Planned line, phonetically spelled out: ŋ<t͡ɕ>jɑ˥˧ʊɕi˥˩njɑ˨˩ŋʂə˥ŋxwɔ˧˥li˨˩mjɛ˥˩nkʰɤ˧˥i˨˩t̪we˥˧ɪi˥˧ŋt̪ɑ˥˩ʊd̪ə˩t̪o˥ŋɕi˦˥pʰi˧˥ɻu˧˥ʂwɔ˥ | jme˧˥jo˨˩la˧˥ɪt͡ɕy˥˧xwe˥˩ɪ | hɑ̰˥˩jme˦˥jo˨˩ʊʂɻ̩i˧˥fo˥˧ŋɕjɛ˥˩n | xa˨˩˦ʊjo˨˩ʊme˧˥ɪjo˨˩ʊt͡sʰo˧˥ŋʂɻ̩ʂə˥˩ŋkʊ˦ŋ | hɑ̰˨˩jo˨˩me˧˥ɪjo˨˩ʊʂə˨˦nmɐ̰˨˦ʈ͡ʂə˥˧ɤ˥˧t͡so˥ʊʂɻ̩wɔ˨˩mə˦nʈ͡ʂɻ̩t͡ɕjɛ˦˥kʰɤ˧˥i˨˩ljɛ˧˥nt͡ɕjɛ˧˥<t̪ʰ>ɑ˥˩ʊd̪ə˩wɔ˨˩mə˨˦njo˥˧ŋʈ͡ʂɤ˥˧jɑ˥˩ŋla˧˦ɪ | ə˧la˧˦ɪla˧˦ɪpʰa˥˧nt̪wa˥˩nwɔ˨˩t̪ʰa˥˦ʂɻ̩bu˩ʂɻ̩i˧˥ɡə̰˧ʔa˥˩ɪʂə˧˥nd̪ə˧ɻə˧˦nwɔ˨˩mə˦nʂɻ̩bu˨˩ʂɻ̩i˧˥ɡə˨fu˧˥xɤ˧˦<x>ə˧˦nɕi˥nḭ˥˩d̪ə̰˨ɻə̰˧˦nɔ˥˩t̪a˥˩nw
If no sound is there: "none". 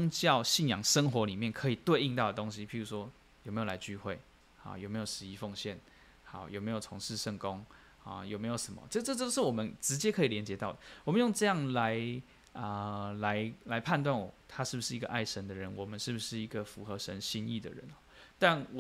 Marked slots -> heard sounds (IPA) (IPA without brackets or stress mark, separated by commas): t͡ɕ, t̪, ʂ